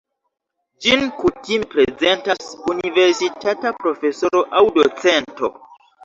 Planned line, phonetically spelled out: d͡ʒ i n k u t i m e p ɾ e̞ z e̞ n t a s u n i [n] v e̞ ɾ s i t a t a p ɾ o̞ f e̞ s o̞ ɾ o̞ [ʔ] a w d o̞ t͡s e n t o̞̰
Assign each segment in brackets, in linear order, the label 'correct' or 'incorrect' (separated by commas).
incorrect, correct